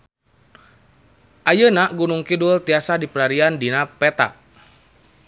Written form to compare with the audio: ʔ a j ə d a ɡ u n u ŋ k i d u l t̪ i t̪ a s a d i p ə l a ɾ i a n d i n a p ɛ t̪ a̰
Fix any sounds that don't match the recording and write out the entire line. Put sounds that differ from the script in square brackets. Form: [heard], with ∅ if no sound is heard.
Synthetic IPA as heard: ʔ a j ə [n] a ɡ u n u ŋ k i d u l t̪ i [∅] a s a d i p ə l a ɾ i a n d i n a p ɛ t̪ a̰